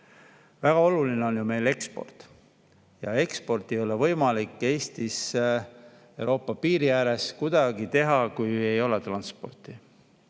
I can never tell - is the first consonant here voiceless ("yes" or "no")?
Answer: no